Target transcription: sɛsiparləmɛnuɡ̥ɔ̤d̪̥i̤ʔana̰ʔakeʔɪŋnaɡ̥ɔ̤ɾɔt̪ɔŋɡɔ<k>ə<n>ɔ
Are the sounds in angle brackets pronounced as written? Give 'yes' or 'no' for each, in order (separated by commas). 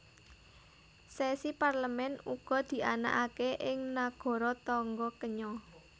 yes, no